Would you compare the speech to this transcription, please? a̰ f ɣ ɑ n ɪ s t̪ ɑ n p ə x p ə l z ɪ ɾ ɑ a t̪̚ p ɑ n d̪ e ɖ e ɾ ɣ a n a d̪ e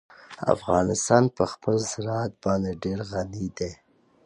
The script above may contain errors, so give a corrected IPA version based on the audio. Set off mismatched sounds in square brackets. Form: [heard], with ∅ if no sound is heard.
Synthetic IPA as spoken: a̰ f ɣ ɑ n ɪ s t̪ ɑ n p ə x p ə l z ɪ ɾ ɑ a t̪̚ [b] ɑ n d̪ e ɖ e ɾ ɣ a n [i] d̪ e